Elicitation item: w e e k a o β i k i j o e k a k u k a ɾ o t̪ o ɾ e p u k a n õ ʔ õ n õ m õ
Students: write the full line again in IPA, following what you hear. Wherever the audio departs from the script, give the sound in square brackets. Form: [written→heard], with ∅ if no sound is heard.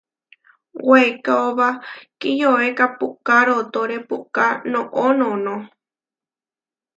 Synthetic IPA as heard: w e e k a o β [i→a] k i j o e k a [k→p] u k a ɾ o t̪ o ɾ e p u k a n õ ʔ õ n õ [m→n] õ